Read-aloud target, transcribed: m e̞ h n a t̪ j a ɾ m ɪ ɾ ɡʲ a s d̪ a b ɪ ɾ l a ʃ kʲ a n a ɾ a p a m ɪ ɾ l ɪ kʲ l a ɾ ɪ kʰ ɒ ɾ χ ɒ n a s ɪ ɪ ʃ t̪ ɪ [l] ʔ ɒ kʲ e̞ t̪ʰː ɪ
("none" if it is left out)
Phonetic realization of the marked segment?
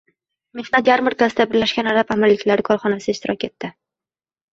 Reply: ɾ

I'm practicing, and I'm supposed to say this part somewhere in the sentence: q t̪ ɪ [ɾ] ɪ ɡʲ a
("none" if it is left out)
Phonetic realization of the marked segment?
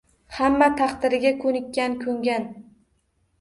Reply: ɾ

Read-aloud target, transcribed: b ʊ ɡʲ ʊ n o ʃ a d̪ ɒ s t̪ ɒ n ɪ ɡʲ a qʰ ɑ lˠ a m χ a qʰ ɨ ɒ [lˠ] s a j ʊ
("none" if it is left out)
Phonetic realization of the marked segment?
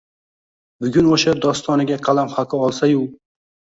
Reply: lˠ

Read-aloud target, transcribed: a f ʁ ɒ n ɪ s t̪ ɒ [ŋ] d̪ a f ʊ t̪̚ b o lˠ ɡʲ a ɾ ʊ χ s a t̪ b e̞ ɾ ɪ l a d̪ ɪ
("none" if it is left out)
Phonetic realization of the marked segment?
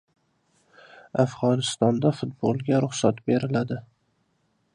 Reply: n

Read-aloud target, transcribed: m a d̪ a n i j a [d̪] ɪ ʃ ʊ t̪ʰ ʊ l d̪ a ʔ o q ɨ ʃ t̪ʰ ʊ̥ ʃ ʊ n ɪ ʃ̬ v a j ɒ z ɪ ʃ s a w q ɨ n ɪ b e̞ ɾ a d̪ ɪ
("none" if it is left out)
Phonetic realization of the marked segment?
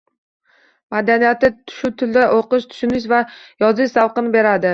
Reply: t̪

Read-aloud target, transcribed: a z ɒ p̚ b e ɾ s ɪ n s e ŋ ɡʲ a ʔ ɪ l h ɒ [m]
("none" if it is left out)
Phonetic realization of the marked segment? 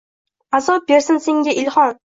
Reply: n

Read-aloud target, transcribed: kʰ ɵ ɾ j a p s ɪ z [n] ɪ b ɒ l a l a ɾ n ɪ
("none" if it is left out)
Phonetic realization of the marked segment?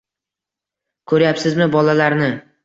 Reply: m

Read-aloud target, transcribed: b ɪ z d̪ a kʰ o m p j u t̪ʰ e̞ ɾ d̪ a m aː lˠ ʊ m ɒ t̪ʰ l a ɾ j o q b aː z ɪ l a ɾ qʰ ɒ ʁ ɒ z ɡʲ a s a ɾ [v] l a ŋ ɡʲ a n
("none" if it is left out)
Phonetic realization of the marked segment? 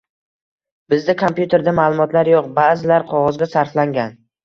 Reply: f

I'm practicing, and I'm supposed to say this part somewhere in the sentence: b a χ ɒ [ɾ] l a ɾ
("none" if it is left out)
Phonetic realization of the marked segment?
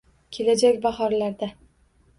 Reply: ɾ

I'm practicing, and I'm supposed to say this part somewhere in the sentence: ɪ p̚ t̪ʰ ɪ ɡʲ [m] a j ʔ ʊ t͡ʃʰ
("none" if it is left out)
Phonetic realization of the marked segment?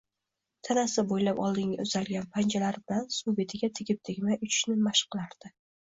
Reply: m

